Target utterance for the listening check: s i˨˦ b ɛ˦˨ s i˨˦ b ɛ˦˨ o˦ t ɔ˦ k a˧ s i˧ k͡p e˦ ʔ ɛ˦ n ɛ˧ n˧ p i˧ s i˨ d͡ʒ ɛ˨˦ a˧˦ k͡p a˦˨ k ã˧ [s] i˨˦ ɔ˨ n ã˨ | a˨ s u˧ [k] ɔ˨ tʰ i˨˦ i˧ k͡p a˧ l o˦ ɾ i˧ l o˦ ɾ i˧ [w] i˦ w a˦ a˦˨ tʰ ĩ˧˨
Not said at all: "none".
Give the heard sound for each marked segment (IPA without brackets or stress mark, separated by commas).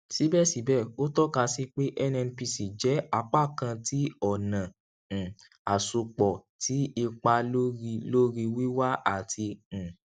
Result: t, k͡p, w